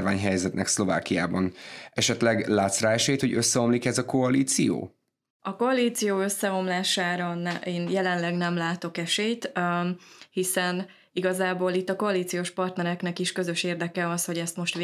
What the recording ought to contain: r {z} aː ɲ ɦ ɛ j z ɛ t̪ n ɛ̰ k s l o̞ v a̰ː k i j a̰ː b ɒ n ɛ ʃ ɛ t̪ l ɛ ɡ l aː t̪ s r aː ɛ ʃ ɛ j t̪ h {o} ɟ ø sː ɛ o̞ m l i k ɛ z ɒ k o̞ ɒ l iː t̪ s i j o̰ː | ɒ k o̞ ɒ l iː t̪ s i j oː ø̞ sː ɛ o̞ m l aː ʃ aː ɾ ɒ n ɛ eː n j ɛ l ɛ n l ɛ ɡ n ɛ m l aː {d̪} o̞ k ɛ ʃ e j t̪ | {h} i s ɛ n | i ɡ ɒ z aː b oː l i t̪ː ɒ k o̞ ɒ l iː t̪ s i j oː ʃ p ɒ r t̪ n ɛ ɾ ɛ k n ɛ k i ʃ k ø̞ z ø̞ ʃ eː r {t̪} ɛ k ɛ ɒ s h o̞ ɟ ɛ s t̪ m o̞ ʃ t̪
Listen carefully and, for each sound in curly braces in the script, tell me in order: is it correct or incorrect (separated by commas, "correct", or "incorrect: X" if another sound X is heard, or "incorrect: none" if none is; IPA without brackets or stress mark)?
incorrect: v, correct, incorrect: t̪, correct, incorrect: d̪